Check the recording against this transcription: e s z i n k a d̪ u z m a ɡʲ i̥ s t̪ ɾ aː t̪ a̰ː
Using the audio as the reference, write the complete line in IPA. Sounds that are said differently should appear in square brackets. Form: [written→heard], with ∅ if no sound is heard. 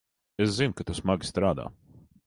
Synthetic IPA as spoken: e s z i n k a [d̪→t̪] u [z→s] m a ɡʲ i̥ s t̪ ɾ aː [t̪→d̪] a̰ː